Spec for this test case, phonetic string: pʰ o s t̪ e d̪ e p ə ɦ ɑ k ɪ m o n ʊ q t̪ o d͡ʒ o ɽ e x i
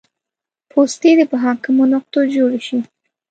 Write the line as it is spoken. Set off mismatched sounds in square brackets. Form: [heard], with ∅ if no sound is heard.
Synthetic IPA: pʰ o s t̪ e d̪ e p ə ɦ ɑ k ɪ m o n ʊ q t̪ o d͡ʒ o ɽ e [ʃ] i